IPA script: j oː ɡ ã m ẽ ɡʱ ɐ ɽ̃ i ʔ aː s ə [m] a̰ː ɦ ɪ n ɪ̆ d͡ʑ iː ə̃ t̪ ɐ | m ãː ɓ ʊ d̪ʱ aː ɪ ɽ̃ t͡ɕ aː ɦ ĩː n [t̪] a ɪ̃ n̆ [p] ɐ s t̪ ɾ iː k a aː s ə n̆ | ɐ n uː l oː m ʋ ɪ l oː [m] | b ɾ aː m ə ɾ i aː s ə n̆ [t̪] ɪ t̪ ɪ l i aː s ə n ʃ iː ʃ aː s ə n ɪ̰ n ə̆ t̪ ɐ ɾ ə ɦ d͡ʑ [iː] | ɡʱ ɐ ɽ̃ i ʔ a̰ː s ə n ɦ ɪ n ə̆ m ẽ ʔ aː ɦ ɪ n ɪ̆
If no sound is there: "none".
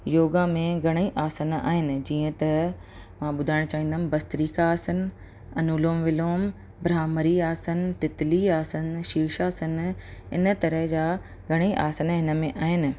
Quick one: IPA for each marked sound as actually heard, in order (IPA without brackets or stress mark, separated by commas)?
n, d̪, b, m, t̪, aː